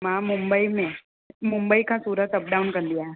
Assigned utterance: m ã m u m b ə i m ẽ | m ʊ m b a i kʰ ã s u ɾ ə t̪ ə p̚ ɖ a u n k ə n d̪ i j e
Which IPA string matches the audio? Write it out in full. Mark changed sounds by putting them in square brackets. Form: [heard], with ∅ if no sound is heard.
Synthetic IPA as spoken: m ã m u m b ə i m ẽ | m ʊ m b [ə] i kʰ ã s u ɾ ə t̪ ə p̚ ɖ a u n k ə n d̪ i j [a]